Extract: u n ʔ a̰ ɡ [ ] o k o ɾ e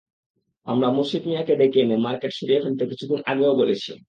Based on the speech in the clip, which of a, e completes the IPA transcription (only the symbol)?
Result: e